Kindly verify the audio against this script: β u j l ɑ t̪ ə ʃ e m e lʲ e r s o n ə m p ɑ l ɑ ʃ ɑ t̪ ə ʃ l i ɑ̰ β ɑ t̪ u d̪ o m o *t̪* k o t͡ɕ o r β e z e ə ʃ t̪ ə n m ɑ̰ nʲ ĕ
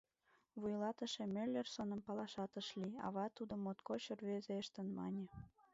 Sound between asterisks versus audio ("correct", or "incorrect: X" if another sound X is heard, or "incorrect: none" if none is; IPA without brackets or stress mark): correct